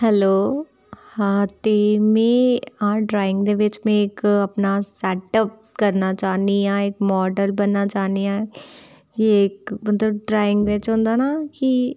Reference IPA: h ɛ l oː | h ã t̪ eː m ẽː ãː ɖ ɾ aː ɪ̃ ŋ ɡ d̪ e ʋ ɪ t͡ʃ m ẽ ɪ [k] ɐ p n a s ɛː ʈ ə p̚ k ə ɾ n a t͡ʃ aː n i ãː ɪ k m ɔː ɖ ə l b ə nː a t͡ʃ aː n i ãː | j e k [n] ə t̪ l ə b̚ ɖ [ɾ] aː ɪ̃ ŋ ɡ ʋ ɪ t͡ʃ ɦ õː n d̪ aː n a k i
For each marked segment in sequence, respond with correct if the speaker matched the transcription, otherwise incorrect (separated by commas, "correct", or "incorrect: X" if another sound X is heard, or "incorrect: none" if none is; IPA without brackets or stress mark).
correct, incorrect: m, correct